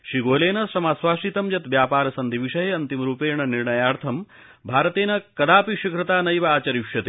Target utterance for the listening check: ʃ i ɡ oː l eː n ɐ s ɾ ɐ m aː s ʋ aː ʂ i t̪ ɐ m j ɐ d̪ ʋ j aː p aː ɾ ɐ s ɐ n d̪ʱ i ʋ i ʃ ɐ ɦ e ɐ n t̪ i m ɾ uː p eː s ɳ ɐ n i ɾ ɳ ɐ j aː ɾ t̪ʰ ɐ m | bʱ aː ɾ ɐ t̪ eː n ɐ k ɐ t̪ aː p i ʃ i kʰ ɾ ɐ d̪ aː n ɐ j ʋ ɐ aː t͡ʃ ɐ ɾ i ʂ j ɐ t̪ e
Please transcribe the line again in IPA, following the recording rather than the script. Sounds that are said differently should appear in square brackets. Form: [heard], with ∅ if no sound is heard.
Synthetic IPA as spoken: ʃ i ɡ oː l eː n ɐ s ɾ ɐ m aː s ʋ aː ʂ i t̪ ɐ m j ɐ [t̪] ʋ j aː p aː ɾ ɐ s ɐ n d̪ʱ i ʋ i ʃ ɐ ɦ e ɐ n t̪ i m ɾ uː p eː [∅] ɳ ɐ n i ɾ ɳ ɐ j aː ɾ t̪ʰ ɐ m | bʱ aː ɾ ɐ t̪ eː n ɐ k ɐ [d̪] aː p i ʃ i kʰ ɾ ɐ [t̪] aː n ɐ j ʋ ɐ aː t͡ʃ ɐ ɾ i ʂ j ɐ t̪ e

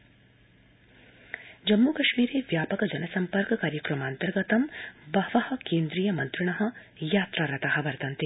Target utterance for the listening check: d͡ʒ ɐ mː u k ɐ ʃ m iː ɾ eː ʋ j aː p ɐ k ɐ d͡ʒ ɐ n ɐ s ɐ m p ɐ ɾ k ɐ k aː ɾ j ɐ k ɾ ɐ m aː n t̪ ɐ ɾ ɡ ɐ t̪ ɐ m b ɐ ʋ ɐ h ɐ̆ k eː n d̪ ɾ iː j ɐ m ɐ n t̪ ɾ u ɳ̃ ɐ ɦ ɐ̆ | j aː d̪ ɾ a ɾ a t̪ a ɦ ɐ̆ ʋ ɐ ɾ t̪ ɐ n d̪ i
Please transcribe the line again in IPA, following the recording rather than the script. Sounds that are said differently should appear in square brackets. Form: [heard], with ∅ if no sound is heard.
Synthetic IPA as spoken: d͡ʒ ɐ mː u k ɐ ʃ m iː ɾ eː ʋ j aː p ɐ k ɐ d͡ʒ ɐ n ɐ s ɐ m p ɐ ɾ k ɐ k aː ɾ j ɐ k ɾ ɐ m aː n t̪ ɐ ɾ ɡ ɐ t̪ ɐ m b ɐ ʋ ɐ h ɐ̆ k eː n d̪ ɾ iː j ɐ m ɐ n t̪ ɾ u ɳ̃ ɐ ɦ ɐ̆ | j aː [t̪] ɾ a ɾ [ɐ] t̪ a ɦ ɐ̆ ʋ ɐ ɾ t̪ ɐ n [t̪] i

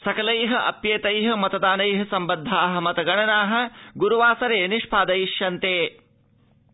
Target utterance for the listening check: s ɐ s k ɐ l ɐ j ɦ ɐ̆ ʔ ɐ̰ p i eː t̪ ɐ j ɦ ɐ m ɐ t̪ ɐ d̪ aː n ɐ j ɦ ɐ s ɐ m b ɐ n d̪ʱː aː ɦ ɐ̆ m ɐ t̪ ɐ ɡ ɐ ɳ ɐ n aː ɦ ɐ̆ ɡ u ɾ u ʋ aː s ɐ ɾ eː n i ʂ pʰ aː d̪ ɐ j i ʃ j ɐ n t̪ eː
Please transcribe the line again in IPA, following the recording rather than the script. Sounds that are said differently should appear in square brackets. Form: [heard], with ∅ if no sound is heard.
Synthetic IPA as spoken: s ɐ [∅] k ɐ l ɐ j ɦ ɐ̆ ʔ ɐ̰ p [j] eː t̪ ɐ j ɦ ɐ m ɐ t̪ ɐ d̪ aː n ɐ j ɦ ɐ s ɐ m b ɐ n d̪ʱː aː ɦ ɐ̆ m ɐ t̪ ɐ ɡ ɐ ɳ ɐ n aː ɦ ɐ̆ ɡ u ɾ u ʋ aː s ɐ ɾ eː n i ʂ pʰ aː d̪ ɐ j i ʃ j ɐ n t̪ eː

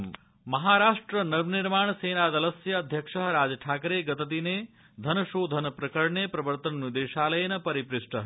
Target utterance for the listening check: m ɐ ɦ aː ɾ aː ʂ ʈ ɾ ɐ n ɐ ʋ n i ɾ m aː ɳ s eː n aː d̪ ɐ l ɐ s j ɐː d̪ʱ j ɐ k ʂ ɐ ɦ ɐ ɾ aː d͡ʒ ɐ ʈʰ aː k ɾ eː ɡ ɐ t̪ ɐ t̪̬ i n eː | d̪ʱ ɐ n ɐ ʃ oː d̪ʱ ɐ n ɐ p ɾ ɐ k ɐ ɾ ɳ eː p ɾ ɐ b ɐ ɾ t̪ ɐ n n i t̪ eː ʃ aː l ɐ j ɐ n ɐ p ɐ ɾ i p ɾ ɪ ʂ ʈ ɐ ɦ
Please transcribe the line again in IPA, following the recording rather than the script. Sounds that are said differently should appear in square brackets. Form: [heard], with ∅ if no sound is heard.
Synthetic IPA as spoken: m ɐ ɦ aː ɾ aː ʂ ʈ ɾ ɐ n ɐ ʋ n i ɾ m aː ɳ s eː n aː d̪ ɐ l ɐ s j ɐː d̪ʱ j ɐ k ʂ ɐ ɦ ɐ ɾ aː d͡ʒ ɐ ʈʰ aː k ɾ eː ɡ ɐ t̪ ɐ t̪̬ i n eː | d̪ʱ ɐ n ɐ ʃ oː d̪ʱ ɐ n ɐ p ɾ ɐ k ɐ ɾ ɳ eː p ɾ ɐ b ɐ ɾ t̪ ɐ n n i [d̪] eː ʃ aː l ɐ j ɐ n ɐ p ɐ ɾ i p ɾ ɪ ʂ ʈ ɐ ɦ

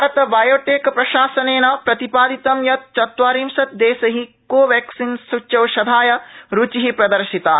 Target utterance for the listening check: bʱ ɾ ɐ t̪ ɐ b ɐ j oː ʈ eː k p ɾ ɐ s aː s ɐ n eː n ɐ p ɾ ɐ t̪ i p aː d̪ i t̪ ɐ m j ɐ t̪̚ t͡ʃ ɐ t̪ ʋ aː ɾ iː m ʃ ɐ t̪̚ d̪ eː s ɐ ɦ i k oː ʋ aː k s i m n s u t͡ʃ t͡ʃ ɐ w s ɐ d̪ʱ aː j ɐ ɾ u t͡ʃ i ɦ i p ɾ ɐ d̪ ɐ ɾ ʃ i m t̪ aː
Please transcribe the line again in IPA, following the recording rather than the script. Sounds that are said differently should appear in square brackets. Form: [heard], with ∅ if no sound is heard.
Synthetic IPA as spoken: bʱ ɾ ɐ t̪ ɐ b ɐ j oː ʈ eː k p ɾ ɐ [ʃ] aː s ɐ n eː n ɐ p ɾ ɐ t̪ i p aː d̪ i t̪ ɐ m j ɐ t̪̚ t͡ʃ ɐ t̪ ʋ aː ɾ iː m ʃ ɐ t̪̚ d̪ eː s ɐ ɦ i k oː ʋ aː k s i [∅] n s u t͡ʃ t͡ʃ ɐ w [ʃ] ɐ d̪ʱ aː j ɐ ɾ u t͡ʃ i ɦ i p ɾ ɐ d̪ ɐ ɾ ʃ i [∅] t̪ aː

